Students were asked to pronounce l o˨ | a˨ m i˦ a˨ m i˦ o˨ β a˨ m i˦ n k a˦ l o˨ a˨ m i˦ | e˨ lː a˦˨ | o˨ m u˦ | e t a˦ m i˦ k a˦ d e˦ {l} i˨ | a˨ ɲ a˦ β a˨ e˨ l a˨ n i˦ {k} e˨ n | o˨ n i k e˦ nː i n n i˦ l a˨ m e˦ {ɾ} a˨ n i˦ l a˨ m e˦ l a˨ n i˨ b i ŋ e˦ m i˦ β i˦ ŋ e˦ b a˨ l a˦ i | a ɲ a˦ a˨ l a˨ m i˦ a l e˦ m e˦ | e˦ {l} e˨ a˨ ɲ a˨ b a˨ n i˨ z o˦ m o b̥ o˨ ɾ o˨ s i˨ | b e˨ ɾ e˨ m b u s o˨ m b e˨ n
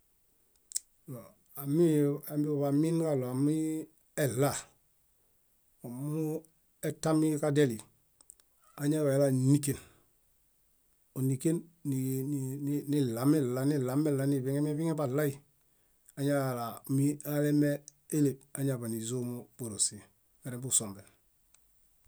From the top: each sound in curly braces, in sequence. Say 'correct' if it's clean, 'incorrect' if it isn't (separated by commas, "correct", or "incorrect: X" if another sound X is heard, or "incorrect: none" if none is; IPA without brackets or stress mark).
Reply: correct, correct, incorrect: l, correct